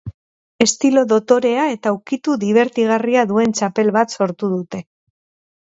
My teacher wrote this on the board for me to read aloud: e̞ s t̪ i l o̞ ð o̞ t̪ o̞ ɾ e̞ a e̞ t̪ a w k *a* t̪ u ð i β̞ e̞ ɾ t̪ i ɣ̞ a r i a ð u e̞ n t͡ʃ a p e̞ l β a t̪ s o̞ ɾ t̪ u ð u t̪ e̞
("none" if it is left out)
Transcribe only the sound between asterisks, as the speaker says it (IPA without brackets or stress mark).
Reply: i